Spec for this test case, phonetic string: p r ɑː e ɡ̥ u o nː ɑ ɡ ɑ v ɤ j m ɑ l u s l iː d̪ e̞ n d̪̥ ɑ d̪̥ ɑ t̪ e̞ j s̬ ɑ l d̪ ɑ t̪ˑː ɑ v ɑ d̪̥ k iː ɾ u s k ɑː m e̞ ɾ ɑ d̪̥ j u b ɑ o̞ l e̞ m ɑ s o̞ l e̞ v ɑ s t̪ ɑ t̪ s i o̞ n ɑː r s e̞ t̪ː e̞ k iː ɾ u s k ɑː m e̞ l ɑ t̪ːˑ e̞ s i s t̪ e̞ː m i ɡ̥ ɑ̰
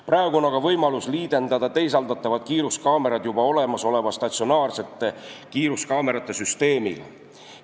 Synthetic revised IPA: p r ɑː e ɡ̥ u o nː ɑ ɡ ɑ v ɤ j m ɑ l u s l iː d̪ e̞ n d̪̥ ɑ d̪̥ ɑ t̪ e̞ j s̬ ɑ l d̪ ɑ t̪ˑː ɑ v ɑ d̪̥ k iː ɾ u s k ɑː m e̞ ɾ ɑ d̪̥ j u b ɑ o̞ l e̞ m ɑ s o̞ l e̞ v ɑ s t̪ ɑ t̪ s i o̞ n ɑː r s e̞ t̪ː e̞ k iː ɾ u s k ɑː m e̞ ɾ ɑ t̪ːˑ e̞ s y s t̪ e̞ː m i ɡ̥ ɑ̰